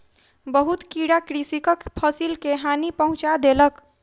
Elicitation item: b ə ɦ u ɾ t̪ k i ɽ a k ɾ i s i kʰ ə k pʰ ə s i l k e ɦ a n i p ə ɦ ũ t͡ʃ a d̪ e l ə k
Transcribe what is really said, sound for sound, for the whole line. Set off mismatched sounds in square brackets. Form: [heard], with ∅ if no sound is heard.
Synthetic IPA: b ə ɦ u [∅] t̪ k i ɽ a k ɾ i s i [k] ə k pʰ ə s i l k e ɦ a n i p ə ɦ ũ t͡ʃ a d̪ e l ə k